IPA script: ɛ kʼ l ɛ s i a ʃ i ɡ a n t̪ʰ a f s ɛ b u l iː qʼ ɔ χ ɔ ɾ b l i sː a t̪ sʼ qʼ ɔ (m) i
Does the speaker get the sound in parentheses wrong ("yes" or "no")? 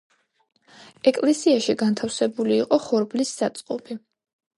yes